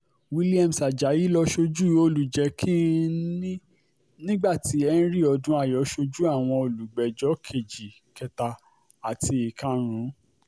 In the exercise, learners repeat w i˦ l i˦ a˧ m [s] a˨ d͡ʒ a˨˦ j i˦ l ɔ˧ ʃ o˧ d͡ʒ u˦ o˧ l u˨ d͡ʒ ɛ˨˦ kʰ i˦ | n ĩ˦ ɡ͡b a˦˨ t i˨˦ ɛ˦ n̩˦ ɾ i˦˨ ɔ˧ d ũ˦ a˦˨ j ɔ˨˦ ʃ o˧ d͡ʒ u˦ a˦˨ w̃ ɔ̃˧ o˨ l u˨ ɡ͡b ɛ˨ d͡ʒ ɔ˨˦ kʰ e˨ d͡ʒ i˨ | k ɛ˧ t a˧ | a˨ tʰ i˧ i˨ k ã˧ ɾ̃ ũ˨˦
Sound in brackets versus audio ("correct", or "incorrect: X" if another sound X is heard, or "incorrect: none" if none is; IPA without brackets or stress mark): correct